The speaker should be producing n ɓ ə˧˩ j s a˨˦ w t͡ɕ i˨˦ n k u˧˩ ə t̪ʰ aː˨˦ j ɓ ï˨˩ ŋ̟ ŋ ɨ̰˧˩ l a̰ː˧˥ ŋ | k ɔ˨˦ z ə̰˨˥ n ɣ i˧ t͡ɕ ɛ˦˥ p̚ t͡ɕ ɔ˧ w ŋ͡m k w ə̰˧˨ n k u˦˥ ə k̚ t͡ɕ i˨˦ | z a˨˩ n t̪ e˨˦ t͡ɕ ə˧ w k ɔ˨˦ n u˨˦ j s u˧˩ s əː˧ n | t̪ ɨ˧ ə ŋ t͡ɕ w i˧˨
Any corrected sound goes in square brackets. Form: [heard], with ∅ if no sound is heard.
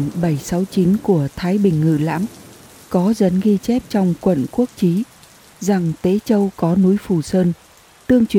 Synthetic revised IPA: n ɓ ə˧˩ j s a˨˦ w t͡ɕ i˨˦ n k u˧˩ ə t̪ʰ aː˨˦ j ɓ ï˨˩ ŋ̟ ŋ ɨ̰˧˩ l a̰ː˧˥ [m] | k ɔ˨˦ z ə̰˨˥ n ɣ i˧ t͡ɕ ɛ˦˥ p̚ t͡ɕ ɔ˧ w ŋ͡m k w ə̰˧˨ n k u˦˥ ə k̚ t͡ɕ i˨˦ | z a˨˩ [ŋ] t̪ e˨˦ t͡ɕ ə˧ w k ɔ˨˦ n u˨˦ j [f] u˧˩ s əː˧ n | t̪ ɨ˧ ə ŋ t͡ɕ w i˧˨